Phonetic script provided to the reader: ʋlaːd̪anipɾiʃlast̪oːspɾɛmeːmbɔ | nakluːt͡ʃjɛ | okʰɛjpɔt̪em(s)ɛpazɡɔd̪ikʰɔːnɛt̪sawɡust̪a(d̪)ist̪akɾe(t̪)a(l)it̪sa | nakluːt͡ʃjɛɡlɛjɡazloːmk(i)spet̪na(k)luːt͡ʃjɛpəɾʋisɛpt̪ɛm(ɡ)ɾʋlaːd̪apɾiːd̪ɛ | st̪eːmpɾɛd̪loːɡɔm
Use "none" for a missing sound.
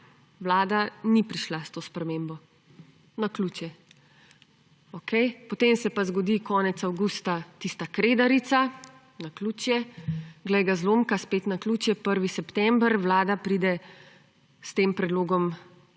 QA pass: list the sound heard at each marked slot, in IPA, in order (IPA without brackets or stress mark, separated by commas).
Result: s, t̪, d̪, ɾ, a, k, b